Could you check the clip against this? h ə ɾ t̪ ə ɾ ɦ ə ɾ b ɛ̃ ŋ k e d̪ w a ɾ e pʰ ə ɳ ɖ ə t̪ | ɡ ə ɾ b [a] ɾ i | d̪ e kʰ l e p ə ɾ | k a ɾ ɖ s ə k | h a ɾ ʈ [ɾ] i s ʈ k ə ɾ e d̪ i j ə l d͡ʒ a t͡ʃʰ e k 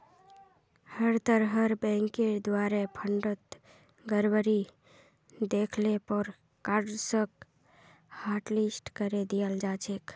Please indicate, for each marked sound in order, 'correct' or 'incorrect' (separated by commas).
incorrect, incorrect